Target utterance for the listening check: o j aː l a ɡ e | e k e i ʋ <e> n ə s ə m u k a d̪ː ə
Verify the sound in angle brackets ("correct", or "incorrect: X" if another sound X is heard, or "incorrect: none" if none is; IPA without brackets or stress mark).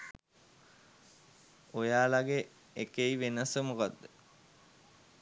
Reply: correct